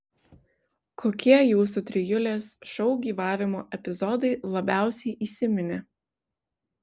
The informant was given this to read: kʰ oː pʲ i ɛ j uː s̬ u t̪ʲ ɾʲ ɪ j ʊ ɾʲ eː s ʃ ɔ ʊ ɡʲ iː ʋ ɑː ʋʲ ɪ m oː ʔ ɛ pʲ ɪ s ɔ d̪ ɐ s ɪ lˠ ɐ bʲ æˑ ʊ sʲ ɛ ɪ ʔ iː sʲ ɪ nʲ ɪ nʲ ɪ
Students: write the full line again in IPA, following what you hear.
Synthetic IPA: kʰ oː kʲ i ɛ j uː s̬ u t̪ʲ ɾʲ ɪ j ʊ lʲ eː s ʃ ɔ ʊ ɡʲ iː ʋ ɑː ʋʲ ɪ m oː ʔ ɛ pʲ ɪ z ɔ d̪ ɐ ɪ lˠ ɐ bʲ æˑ ʊ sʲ ɛ ɪ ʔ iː sʲ ɪ mʲ ɪ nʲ ɪ